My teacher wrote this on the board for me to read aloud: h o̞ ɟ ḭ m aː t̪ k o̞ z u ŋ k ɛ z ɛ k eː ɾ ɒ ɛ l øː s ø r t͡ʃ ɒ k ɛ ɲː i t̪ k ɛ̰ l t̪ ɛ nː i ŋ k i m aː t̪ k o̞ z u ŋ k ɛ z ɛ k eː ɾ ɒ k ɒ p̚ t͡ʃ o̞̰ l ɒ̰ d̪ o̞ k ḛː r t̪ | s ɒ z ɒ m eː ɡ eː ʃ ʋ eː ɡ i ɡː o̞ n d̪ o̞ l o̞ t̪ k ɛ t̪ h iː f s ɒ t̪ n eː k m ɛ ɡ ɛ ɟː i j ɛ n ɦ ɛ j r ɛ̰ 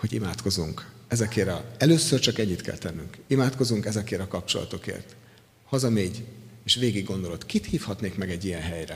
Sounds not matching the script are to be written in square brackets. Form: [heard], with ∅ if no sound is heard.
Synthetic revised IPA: h o̞ ɟ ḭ m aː t̪ k o̞ z u ŋ k ɛ z ɛ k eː ɾ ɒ ɛ l øː s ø r t͡ʃ ɒ k ɛ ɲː i t̪ k ɛ̰ l t̪ ɛ nː [y] ŋ k i m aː t̪ k o̞ z u ŋ k ɛ z ɛ k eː ɾ ɒ k ɒ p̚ t͡ʃ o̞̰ l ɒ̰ [t̪] o̞ k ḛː r t̪ | [h] ɒ z ɒ m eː [ɟ] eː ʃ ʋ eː ɡ i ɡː o̞ n d̪ o̞ l o̞ t̪ k [i] t̪ h iː f [h] ɒ t̪ n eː k m ɛ ɡ ɛ ɟː i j ɛ n ɦ ɛ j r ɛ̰